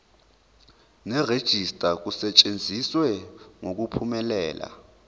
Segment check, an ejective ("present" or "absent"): present